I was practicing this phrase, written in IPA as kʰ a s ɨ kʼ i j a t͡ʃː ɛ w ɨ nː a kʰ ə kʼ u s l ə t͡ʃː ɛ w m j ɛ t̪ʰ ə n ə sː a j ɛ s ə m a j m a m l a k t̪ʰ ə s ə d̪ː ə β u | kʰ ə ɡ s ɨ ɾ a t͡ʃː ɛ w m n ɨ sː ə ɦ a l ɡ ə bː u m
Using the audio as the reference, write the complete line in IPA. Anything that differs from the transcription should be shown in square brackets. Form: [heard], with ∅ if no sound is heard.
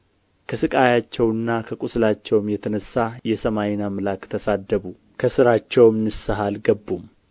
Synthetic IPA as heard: kʰ [ə] s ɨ kʼ [a] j a t͡ʃː ɛ w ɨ nː a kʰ ə kʼ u s l [a] t͡ʃː ɛ w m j ɛ t̪ʰ ə n ə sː a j ɛ s ə m a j [n] a m l a k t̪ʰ ə s [a] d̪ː ə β u | kʰ ə [∅] s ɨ ɾ a t͡ʃː ɛ w m n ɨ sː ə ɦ a l ɡ ə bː u m